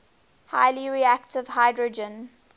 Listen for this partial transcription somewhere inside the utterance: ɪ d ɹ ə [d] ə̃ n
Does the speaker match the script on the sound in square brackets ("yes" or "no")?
no